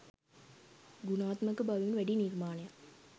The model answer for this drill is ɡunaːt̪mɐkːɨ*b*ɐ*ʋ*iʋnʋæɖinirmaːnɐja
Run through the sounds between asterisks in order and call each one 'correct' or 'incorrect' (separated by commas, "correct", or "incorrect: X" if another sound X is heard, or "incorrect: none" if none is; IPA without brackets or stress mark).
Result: correct, correct